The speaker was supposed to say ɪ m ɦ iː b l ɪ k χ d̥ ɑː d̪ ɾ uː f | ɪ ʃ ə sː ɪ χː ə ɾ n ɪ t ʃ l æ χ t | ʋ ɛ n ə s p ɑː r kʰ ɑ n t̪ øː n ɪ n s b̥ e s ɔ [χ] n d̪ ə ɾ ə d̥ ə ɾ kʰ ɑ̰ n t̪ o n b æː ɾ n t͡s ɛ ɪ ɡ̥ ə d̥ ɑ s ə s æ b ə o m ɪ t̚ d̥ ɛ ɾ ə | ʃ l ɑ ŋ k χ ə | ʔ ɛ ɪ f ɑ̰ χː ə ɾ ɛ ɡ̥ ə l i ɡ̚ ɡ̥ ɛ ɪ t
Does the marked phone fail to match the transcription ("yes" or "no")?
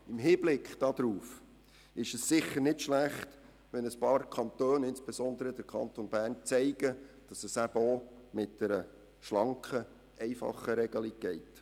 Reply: yes